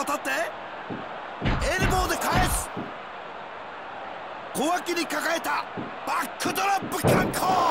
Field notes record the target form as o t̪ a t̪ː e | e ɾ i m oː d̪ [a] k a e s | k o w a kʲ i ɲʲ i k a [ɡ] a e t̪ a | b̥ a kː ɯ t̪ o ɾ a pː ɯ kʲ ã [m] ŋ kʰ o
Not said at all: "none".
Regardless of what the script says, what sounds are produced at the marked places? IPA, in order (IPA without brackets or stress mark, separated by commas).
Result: e, k, none